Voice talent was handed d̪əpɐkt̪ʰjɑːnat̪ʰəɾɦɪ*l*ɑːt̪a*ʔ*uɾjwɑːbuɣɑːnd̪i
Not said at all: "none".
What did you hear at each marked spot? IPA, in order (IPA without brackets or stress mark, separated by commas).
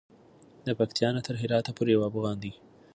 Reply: ɾ, p